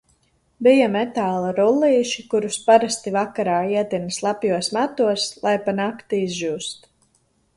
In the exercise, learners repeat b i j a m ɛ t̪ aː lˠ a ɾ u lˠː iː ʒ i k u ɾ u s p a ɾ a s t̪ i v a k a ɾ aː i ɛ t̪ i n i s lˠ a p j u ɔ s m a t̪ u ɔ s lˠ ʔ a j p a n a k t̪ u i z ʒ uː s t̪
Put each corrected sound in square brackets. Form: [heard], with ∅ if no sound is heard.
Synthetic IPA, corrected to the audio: b i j a m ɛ t̪ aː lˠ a ɾ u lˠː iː [ʃ] i k u ɾ u s p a ɾ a s t̪ i v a k a ɾ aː i ɛ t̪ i n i s lˠ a p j u ɔ s m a t̪ u ɔ s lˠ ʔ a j p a n a k t̪ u i z ʒ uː s t̪